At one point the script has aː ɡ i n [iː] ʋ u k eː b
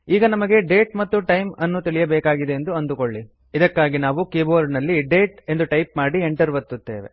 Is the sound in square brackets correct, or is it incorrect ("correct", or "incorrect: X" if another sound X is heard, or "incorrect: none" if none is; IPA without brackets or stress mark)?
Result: incorrect: aː